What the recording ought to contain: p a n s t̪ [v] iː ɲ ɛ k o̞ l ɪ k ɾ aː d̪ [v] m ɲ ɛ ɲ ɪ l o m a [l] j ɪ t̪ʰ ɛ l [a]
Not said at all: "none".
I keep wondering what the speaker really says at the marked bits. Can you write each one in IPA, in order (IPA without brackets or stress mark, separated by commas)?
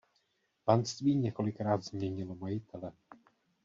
v, z, none, ɛ